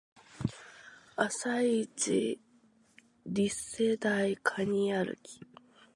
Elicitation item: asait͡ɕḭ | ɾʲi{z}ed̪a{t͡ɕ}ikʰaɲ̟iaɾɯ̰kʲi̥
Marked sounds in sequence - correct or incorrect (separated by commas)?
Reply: incorrect, incorrect